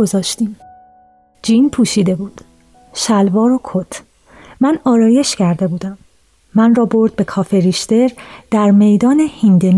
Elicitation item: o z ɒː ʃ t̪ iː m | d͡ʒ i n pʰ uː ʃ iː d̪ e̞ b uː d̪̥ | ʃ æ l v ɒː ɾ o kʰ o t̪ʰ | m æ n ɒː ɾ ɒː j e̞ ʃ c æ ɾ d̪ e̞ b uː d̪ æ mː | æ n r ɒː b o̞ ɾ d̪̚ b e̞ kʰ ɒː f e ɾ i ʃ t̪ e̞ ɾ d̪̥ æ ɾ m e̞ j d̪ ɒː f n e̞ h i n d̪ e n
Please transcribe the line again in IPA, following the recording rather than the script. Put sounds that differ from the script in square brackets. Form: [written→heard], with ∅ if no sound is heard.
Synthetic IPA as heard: o z ɒː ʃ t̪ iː m | d͡ʒ i n pʰ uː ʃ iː d̪ e̞ b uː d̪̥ | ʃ æ l v ɒː ɾ o kʰ o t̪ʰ | m æ n ɒː ɾ ɒː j e̞ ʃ c æ ɾ d̪ e̞ b uː d̪ æ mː | æ n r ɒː b o̞ ɾ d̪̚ b e̞ kʰ ɒː f e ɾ i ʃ t̪ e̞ ɾ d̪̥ æ ɾ m e̞ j d̪ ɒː [f→∅] n e̞ h i n d̪ e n